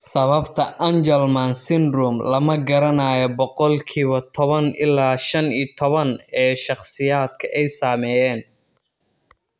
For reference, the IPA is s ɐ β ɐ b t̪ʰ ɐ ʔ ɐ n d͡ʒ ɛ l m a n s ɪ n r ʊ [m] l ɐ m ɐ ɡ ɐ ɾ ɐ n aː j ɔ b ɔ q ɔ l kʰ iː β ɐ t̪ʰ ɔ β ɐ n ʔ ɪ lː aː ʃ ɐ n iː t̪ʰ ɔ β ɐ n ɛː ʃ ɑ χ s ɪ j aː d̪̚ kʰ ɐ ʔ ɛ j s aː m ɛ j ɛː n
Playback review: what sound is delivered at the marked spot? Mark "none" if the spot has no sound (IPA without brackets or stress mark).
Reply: m